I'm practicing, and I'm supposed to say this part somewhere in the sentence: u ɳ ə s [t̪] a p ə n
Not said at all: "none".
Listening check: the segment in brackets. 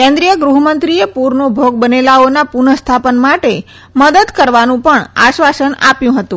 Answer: t̪ʰ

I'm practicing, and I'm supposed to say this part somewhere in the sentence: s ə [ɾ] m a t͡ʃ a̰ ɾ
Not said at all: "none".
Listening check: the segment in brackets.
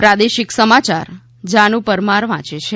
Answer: none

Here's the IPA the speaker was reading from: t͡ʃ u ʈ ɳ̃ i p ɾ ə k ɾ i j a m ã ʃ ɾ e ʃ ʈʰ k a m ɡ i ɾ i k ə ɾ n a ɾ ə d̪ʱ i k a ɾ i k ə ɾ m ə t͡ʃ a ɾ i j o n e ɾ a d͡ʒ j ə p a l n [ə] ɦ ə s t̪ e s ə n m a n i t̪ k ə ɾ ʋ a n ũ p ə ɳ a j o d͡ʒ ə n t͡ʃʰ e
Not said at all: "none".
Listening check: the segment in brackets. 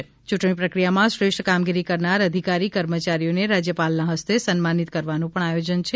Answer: a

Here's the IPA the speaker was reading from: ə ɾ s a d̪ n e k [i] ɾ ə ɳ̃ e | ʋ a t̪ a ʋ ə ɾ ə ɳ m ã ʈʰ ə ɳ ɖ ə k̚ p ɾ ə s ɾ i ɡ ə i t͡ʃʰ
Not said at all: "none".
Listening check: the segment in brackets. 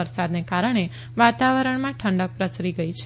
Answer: a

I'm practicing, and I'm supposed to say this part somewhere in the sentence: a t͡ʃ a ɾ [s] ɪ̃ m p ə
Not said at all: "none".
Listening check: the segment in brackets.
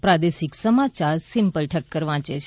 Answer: s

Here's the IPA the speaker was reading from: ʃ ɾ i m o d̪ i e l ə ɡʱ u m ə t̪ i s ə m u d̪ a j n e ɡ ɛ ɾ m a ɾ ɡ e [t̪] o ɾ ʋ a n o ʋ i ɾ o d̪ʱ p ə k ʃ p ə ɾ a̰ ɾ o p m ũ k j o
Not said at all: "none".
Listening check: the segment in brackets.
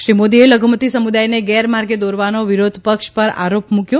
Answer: d̪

